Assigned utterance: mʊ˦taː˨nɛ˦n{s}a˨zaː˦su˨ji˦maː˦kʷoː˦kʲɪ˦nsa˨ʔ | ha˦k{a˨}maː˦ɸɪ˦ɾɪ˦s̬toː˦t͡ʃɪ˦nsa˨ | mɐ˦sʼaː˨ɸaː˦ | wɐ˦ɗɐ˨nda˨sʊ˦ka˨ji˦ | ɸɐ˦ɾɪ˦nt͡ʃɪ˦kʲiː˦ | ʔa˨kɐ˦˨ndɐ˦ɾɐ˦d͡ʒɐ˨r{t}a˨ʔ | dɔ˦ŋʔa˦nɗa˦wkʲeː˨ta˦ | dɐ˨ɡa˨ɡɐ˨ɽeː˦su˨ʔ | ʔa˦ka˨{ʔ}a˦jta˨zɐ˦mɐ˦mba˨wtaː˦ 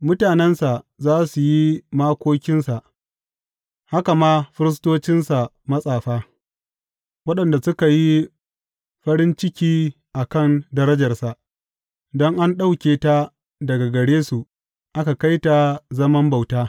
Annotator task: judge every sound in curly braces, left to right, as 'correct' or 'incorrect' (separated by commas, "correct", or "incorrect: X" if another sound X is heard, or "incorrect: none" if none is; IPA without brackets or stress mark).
correct, correct, incorrect: s, incorrect: k